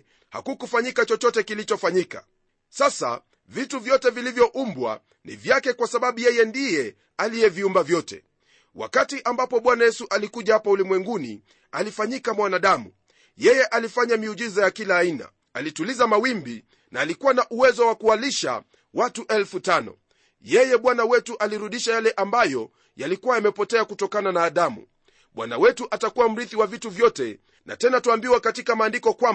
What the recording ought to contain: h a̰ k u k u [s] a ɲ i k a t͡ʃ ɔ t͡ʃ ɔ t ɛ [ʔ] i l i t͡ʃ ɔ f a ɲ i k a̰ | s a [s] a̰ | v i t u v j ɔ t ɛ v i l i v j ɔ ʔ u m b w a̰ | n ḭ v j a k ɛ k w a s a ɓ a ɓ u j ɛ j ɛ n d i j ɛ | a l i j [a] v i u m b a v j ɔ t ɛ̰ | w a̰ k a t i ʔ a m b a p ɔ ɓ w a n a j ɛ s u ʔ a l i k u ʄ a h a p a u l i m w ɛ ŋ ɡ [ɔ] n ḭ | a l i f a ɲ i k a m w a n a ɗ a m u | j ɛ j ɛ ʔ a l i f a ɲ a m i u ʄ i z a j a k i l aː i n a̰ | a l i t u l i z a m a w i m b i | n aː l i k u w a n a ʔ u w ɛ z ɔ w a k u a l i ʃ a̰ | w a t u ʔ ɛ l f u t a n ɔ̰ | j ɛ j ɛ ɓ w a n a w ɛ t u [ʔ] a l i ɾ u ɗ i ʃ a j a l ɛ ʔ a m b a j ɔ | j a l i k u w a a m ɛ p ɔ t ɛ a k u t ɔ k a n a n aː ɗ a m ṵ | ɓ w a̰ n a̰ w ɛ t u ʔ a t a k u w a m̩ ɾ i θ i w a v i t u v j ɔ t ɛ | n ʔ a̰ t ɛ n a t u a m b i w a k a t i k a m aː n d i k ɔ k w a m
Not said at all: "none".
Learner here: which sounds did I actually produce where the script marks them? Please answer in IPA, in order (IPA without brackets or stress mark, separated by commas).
f, k, s, ɛ, u, ʔ